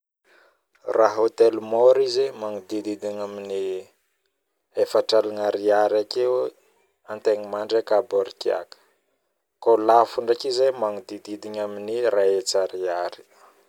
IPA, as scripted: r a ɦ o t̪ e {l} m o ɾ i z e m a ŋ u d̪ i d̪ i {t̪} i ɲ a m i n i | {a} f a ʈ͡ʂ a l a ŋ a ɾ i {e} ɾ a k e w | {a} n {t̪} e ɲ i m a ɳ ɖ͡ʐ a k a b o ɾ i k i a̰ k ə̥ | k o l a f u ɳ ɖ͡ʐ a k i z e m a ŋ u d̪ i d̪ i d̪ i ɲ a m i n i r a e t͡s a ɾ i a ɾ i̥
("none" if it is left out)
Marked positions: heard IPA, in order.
l, d̪, e, a, a, t̪

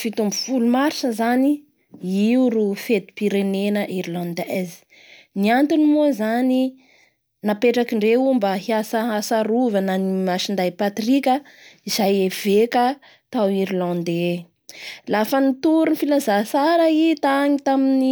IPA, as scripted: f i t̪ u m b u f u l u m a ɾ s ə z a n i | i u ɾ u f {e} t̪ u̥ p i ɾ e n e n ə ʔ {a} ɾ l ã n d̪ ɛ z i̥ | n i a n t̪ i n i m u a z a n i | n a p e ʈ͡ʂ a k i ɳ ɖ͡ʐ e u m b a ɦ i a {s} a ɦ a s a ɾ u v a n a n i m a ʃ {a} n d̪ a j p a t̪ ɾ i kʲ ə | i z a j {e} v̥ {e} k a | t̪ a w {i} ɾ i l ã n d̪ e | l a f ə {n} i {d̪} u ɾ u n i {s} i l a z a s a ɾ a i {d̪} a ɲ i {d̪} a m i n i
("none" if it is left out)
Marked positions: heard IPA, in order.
e, i, s, i, e, e, i, n, t̪, f, t̪, t̪

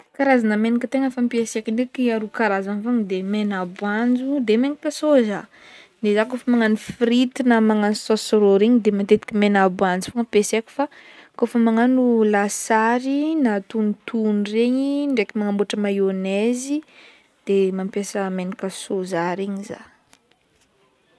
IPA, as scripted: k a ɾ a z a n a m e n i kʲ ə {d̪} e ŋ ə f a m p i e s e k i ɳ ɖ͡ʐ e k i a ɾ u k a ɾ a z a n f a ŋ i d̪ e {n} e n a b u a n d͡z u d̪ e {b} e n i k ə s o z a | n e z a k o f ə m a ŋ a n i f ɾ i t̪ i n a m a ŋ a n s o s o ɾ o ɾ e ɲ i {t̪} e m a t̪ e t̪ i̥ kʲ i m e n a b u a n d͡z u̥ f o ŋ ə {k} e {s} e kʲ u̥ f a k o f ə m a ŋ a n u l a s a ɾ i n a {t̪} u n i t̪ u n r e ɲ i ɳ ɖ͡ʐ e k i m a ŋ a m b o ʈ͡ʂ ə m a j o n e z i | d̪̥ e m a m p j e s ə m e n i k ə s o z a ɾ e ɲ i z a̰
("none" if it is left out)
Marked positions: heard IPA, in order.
t̪, m, m, d̪, p, s, t̪

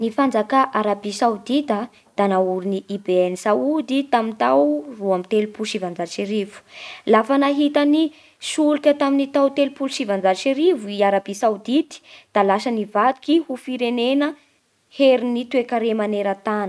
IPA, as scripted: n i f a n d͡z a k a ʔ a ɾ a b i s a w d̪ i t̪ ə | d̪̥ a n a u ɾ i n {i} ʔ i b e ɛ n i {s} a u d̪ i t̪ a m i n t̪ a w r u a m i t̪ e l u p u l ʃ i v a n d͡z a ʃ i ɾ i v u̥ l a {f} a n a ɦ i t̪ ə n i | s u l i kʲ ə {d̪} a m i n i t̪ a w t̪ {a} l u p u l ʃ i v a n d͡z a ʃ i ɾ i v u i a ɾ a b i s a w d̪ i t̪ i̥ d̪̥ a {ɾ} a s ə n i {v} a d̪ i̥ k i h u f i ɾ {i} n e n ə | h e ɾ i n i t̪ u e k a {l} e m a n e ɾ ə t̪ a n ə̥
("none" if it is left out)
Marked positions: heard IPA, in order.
i, s, f, t̪, e, l, v, e, ɾ

